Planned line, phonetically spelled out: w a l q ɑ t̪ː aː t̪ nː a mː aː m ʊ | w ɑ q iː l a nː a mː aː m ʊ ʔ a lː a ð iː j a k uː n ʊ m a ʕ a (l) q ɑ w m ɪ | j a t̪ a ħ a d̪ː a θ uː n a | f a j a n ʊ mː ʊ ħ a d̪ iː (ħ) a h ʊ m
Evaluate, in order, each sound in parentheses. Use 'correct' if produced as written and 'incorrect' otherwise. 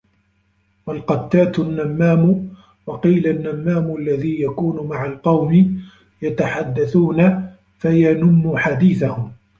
correct, incorrect: θ

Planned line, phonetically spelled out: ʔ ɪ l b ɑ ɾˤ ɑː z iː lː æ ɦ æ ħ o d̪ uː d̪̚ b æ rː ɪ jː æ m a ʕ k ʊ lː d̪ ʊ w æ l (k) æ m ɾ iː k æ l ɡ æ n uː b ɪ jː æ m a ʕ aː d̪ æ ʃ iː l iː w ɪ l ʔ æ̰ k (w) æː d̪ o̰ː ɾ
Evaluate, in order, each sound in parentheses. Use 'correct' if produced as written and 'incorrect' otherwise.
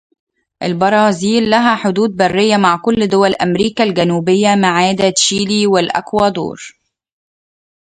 incorrect: ʔ, correct

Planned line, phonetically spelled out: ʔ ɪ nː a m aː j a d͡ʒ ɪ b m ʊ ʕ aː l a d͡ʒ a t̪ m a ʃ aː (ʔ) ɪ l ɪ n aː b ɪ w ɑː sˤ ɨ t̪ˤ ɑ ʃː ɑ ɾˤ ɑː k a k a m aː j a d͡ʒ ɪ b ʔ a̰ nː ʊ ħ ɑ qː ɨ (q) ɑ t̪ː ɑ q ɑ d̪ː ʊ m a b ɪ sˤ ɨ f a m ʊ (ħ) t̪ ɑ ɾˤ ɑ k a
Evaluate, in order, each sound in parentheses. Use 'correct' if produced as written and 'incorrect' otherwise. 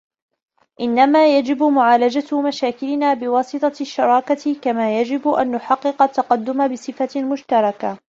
incorrect: k, correct, incorrect: ʃ

